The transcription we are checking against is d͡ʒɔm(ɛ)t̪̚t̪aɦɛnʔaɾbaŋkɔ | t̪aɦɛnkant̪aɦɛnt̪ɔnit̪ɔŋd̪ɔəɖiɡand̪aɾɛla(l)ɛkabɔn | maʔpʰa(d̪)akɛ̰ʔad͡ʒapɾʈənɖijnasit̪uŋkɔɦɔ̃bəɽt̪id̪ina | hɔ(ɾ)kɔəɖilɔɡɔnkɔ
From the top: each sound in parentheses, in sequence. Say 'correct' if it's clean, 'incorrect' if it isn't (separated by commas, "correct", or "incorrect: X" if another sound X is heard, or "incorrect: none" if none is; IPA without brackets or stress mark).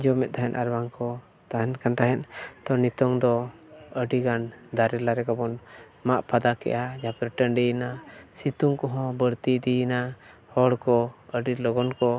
correct, incorrect: ɾ, correct, incorrect: ɽ